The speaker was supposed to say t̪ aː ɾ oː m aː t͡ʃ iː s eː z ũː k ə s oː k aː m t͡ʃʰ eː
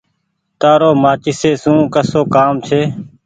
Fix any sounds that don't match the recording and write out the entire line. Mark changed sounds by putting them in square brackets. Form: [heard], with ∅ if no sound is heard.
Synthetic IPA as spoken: t̪ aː ɾ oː m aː t͡ʃ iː s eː [s] ũː k ə s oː k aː m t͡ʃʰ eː